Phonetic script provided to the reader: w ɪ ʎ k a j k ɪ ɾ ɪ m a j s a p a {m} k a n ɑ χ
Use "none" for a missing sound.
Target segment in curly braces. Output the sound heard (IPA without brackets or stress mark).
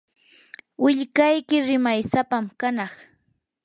m